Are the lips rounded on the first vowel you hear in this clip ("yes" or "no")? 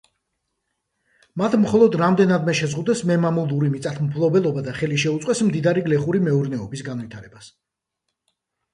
no